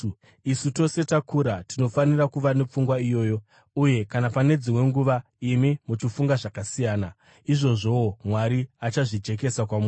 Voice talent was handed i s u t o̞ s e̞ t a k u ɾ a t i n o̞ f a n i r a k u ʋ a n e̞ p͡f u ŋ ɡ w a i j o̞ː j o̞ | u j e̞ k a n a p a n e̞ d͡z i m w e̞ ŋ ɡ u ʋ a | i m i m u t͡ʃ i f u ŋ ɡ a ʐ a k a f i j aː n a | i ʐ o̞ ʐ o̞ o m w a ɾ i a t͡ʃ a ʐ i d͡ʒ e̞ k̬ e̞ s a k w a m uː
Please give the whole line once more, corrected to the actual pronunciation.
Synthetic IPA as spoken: i s u t o̞ s e̞ t a k u ɾ a t i n o̞ f a n i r a k u ʋ a n e̞ p͡f u ŋ ɡ w a i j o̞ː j o̞ | u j e̞ k a n a p a n e̞ d͡z i m w e̞ ŋ ɡ u ʋ a | i m i m u t͡ʃ i f u ŋ ɡ a ʐ a k a s i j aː n a | i ʐ o̞ ʐ o̞ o m w a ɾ i a t͡ʃ a ʐ i d͡ʒ e̞ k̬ e̞ s a k w a m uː